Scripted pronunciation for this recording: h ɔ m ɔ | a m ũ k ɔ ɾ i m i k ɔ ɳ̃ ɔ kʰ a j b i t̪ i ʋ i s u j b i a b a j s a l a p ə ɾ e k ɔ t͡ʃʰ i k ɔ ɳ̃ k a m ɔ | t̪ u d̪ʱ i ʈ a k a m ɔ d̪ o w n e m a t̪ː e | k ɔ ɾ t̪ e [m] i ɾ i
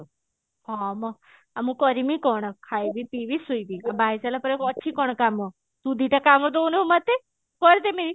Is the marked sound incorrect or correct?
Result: correct